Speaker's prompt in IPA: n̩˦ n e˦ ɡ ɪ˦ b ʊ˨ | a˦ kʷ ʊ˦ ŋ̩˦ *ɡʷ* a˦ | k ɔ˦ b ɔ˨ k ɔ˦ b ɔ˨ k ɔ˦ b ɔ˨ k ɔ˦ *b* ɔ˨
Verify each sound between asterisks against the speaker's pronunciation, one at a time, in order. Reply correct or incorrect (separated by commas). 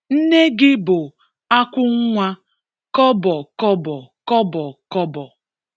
incorrect, correct